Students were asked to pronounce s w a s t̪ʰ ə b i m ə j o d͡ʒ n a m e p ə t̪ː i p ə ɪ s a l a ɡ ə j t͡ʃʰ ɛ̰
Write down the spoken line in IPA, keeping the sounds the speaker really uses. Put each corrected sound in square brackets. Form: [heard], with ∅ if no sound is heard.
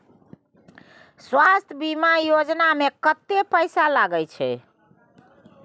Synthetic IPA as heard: s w a s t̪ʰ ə b i m [a] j o d͡ʒ n a m e [k] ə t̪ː [e] p ə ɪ s a l a ɡ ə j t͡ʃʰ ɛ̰